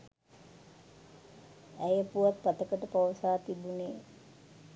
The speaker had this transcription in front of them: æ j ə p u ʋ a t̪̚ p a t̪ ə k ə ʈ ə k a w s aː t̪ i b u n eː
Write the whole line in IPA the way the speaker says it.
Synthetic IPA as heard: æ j ə p u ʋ a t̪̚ p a t̪ ə k ə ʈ ə p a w s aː t̪ i b u n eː